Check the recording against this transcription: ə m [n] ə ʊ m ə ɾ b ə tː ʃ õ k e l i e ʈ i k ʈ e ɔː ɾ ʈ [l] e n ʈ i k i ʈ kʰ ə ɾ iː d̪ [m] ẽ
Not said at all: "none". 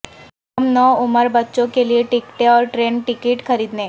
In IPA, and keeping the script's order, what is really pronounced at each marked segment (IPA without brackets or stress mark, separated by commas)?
n, ɾ, n